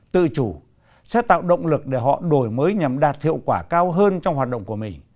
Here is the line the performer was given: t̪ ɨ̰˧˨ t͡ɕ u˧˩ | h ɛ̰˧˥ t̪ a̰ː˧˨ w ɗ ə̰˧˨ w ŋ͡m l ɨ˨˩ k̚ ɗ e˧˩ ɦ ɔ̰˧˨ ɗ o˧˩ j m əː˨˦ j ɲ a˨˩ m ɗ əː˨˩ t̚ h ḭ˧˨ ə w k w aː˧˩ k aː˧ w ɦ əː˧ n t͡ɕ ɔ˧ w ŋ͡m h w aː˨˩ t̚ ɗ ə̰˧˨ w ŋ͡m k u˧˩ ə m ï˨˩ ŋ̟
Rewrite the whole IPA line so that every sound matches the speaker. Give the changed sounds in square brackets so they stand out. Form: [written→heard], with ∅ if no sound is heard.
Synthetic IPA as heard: t̪ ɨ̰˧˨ t͡ɕ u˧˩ | [h→s] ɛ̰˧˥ t̪ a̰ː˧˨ w ɗ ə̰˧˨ w ŋ͡m l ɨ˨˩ k̚ ɗ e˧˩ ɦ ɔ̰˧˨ ɗ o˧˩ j m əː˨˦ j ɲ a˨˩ m ɗ [əː˨˩→aː˨˩] t̚ h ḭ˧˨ ə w k w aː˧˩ k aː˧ w ɦ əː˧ n t͡ɕ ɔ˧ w ŋ͡m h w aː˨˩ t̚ ɗ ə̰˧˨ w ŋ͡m k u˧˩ ə m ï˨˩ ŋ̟

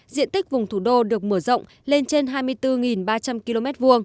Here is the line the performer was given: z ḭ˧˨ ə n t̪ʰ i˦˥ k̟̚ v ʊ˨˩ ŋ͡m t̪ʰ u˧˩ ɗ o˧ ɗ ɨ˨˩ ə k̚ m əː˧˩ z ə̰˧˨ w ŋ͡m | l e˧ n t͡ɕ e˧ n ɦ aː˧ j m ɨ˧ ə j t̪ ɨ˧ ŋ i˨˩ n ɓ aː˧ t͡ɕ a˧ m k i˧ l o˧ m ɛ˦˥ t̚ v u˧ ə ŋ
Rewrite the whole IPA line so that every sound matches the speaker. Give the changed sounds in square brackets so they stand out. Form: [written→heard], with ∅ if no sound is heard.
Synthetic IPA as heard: z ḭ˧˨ ə n [t̪ʰ→t̪] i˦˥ k̟̚ v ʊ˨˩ ŋ͡m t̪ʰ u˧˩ ɗ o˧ ɗ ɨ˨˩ ə k̚ m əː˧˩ z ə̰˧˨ w ŋ͡m | l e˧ n t͡ɕ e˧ n ɦ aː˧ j m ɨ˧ ə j t̪ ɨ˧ ŋ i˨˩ n ɓ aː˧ t͡ɕ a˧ m k i˧ l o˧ m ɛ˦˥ t̚ v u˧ ə ŋ

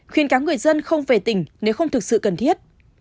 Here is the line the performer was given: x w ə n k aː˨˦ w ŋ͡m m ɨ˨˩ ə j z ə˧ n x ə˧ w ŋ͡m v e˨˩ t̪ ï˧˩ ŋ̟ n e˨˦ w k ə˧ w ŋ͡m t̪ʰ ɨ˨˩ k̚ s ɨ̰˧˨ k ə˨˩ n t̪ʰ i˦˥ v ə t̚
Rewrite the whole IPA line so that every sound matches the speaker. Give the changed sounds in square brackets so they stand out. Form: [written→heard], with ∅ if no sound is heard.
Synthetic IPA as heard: x w ə n k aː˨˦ w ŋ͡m [m→ŋ] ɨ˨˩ ə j z ə˧ n x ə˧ w ŋ͡m v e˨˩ t̪ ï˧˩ ŋ̟ n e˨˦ w [k→x] ə˧ w ŋ͡m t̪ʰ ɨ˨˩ k̚ s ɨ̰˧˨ k ə˨˩ n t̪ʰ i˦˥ [v→∅] ə t̚

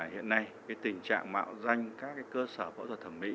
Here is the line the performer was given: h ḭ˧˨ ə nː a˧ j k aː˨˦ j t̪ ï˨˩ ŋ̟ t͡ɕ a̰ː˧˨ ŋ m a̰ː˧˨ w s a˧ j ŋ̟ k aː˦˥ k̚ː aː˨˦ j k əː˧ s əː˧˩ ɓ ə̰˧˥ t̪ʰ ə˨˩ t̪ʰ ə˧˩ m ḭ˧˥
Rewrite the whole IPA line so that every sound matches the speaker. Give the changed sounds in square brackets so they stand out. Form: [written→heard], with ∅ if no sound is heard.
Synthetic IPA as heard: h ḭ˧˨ ə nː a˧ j k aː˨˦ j t̪ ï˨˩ ŋ̟ t͡ɕ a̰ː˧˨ ŋ m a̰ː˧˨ w [s→z] a˧ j ŋ̟ k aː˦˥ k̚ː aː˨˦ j k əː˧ s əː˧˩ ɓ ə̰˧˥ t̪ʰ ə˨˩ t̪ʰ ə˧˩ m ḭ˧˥

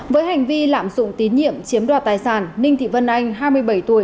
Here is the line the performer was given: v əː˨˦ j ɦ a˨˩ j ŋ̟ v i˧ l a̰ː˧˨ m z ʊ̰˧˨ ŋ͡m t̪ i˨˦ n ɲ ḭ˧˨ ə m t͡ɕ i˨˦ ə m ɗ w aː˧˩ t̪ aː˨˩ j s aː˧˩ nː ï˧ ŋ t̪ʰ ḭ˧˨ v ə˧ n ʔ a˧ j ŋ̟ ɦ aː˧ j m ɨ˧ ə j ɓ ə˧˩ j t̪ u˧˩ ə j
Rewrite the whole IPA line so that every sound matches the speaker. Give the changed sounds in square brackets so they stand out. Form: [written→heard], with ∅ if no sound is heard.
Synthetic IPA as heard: v əː˨˦ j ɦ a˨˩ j ŋ̟ v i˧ l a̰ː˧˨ m z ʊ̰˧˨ ŋ͡m t̪ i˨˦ n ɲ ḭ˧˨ ə m t͡ɕ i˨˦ ə m ɗ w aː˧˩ t̪ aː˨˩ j s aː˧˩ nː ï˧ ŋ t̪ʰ ḭ˧˨ v ə˧ n ʔ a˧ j ŋ̟ ɦ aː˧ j m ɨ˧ ə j ɓ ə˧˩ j t̪ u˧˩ ə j

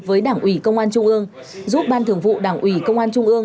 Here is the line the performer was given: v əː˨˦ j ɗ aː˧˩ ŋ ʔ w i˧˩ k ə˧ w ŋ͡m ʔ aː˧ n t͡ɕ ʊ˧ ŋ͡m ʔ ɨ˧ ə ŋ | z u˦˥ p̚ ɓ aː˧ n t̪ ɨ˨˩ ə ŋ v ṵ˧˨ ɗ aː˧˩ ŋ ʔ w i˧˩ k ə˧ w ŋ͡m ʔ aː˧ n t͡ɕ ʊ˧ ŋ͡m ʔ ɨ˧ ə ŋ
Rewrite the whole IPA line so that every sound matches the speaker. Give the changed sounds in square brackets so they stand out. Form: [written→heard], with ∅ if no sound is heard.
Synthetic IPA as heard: v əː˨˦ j ɗ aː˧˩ ŋ ʔ w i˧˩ k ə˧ w ŋ͡m ʔ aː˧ n t͡ɕ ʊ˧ ŋ͡m ʔ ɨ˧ ə ŋ | z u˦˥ p̚ ɓ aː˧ n t̪ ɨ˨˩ ə ŋ v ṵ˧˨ ɗ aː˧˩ ŋ ʔ w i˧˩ k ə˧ w ŋ͡m ʔ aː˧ n t͡ɕ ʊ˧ ŋ͡m ʔ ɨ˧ ə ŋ

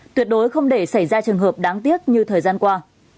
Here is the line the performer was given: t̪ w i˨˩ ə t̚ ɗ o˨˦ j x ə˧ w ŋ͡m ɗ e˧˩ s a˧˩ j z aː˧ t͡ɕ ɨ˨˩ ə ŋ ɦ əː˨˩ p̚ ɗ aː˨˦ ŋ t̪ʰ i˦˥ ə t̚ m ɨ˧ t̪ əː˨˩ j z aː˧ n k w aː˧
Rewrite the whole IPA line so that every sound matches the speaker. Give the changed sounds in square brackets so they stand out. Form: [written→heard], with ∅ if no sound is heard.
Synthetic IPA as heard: t̪ w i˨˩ ə t̚ ɗ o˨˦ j x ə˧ w ŋ͡m ɗ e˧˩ s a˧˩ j z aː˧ t͡ɕ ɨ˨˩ ə ŋ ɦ əː˨˩ p̚ ɗ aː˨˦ ŋ [t̪ʰ→t̪] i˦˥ ə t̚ [m→ɲ] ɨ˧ [t̪→t̪ʰ] əː˨˩ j z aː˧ n k w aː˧

